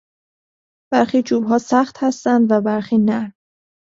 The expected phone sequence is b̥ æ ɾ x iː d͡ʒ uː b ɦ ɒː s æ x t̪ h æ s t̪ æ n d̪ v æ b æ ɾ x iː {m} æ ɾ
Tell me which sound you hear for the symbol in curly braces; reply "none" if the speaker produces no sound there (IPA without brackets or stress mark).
n